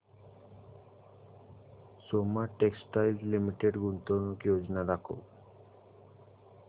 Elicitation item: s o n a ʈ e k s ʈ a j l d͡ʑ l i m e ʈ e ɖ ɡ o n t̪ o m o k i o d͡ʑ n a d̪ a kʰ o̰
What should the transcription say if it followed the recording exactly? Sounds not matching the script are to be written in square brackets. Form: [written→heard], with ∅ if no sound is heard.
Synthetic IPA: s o [n→m] a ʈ e k s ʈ a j l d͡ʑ l i m [e→i] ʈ e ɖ ɡ [o→u] n t̪ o [m→n] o k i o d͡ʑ n a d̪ a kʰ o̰

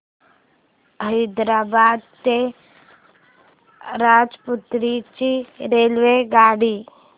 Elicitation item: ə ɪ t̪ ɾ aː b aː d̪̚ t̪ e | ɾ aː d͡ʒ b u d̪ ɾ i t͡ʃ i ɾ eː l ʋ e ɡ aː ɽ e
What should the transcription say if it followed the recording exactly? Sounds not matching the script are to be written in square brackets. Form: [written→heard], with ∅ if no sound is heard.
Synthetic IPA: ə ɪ [t̪→d̪] ɾ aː b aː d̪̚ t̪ e | ɾ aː d͡ʒ [b→p] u [d̪→t̪] ɾ i t͡ʃ i ɾ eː l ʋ e ɡ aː ɽ [e→i]

